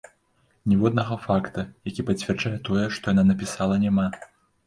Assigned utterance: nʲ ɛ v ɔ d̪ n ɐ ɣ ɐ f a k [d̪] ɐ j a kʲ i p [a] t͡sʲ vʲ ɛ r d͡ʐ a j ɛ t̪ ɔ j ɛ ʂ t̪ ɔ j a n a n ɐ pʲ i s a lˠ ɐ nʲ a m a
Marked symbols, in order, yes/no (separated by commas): no, no